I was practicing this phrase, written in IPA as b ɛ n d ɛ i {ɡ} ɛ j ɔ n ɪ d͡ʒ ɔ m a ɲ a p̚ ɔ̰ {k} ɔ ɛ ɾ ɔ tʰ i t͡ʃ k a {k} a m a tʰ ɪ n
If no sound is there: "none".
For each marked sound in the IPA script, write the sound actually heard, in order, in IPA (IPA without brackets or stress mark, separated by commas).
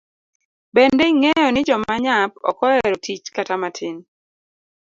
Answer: ŋ, k, t